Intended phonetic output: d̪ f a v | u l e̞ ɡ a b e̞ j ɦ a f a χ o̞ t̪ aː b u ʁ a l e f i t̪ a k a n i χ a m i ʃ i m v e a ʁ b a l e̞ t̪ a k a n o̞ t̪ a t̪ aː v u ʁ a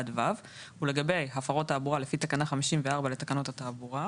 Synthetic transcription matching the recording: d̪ v a v | u l e̞ ɡ a b e̞ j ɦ a f a ʁ o̞ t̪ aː b u ʁ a l e f i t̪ a k a n a χ a m i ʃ i m v e a ʁ b a l e̞ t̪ a k a n o̞ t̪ a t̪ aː b u ʁ a